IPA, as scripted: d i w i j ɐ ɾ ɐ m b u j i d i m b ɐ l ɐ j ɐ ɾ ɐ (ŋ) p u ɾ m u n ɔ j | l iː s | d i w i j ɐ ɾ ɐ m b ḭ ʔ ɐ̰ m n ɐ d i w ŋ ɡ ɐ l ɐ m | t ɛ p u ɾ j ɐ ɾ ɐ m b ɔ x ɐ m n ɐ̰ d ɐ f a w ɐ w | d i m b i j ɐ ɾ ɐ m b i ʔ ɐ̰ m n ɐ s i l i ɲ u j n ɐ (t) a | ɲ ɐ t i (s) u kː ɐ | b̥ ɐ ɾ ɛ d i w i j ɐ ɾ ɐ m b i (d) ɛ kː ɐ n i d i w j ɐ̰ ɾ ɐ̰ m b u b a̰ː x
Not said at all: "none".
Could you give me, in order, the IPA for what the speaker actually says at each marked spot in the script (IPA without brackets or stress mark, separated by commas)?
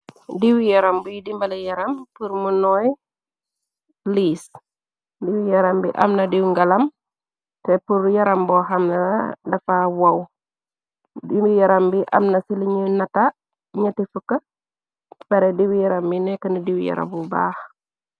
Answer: m, t, f, n